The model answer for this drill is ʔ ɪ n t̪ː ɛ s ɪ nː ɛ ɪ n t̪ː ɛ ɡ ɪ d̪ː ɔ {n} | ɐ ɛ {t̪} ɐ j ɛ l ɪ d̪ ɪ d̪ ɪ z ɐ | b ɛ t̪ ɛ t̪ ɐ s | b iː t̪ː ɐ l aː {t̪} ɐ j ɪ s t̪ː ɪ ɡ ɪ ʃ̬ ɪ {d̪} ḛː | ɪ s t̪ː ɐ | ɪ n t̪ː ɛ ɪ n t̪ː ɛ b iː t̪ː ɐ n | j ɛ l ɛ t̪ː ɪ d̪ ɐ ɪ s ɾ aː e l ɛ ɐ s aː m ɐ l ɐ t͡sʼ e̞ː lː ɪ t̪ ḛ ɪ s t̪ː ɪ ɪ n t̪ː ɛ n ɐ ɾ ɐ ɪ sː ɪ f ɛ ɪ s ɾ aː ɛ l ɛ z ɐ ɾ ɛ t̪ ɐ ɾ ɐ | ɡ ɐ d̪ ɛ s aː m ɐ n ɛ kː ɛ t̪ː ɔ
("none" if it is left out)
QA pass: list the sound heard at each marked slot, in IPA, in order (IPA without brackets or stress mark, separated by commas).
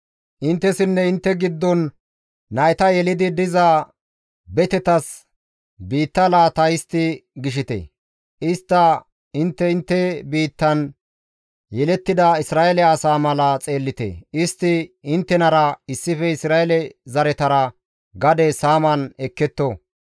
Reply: nː, t̪, t̪, t̪